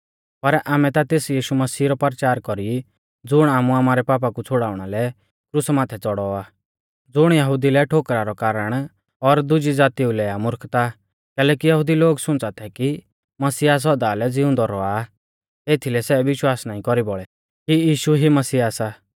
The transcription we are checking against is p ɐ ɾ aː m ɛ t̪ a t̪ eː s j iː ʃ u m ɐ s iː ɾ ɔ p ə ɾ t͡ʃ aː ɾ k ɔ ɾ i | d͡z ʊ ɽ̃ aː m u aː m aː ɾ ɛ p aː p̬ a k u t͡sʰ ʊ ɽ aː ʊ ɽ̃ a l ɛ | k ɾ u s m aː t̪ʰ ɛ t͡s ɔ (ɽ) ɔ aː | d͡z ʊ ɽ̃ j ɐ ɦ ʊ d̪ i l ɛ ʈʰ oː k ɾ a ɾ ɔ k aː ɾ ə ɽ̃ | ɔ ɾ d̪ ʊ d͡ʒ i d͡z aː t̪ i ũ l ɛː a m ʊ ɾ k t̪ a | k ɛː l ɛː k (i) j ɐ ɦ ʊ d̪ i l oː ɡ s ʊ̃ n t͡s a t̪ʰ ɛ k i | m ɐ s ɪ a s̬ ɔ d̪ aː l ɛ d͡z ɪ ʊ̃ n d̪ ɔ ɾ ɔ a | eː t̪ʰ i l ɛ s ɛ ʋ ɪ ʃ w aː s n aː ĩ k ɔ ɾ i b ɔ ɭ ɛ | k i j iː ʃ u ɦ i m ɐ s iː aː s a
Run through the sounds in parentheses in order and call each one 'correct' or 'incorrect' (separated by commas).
correct, correct